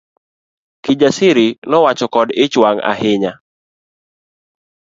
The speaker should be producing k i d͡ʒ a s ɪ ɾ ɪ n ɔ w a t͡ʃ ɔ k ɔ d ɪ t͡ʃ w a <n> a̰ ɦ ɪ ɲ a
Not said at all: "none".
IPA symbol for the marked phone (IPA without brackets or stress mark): ŋ